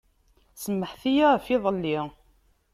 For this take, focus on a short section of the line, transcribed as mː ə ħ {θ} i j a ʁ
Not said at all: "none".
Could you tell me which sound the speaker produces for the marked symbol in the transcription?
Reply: θ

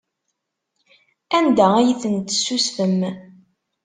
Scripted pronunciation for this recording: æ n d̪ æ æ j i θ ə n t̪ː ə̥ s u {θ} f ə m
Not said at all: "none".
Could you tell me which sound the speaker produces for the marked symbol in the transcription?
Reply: s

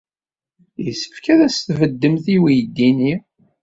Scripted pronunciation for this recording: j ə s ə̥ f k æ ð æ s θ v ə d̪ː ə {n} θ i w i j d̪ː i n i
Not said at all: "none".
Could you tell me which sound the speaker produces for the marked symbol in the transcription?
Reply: m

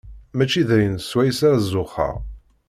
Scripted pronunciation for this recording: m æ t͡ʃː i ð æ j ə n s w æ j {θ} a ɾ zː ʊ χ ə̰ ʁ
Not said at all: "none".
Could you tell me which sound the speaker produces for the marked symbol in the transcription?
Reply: s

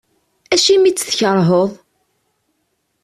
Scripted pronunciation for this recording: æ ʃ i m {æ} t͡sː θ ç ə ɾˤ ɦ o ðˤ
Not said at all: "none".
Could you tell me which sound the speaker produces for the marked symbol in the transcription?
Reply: i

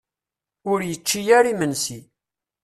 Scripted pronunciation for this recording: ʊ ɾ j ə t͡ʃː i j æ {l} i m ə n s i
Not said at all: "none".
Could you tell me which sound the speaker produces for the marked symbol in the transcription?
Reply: ɾ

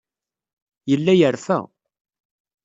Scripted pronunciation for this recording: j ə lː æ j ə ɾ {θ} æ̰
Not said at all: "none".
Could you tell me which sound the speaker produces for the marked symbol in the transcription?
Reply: f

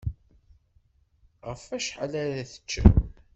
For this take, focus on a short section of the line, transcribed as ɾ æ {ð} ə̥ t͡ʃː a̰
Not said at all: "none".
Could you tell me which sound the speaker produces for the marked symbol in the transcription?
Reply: θ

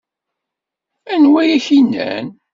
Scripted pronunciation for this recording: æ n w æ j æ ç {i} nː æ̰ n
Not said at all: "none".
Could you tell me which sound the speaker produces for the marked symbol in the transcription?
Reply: i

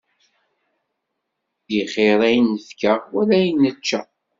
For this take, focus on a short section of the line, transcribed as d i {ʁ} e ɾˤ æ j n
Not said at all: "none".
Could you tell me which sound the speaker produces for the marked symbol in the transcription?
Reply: χ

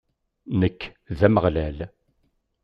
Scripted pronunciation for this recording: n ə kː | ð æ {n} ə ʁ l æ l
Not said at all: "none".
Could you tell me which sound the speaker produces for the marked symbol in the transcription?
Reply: m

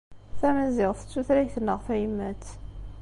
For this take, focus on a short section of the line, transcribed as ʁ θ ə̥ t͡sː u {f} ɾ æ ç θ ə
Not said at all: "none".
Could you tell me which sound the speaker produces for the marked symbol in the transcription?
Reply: θ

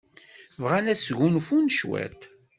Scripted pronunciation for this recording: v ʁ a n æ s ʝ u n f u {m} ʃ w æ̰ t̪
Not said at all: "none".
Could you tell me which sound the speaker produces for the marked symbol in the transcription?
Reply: n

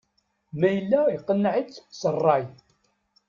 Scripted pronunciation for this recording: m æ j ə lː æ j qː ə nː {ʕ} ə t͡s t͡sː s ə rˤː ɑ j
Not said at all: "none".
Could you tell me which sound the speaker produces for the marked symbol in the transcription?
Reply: ʕ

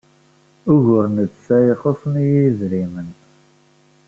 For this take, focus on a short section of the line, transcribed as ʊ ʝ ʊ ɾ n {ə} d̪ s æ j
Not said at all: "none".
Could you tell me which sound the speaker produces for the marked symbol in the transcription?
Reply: ə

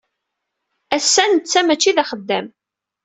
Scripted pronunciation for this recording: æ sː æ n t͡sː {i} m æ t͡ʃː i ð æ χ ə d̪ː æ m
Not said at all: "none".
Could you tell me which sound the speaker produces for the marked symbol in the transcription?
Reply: æ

